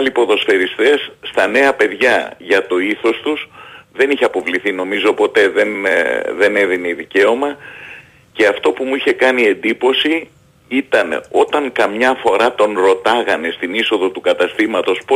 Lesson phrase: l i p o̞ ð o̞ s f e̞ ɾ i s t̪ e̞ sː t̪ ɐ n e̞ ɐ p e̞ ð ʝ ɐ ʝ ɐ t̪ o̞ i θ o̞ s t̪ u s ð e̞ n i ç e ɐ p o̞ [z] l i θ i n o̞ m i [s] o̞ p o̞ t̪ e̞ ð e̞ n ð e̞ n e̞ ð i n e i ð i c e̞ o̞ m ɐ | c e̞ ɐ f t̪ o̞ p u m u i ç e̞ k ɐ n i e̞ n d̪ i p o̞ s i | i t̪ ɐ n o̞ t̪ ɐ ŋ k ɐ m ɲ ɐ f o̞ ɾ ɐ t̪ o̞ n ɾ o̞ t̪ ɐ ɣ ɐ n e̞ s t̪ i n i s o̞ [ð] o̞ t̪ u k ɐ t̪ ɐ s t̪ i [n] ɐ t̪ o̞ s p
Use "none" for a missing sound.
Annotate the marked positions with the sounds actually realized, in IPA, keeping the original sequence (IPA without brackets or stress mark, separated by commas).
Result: v, z, ð, m